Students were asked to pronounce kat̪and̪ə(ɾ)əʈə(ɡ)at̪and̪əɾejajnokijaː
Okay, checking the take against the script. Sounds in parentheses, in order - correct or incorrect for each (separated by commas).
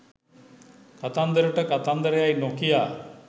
correct, incorrect